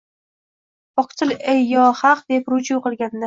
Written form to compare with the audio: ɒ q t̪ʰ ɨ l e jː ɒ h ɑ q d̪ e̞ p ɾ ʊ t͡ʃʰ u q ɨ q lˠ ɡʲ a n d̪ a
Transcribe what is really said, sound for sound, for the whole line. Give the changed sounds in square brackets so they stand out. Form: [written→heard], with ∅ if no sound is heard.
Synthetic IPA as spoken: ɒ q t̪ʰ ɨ l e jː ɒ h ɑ q d̪ e̞ p ɾ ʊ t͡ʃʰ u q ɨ [q→∅] lˠ ɡʲ a n d̪ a